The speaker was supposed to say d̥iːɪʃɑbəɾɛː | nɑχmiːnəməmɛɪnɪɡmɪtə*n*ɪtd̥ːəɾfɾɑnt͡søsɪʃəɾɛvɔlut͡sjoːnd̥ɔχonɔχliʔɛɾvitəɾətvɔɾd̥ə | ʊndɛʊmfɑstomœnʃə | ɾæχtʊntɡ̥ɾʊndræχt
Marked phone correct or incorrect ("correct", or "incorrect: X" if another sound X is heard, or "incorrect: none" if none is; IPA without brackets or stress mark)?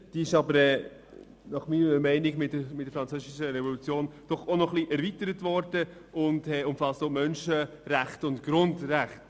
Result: incorrect: m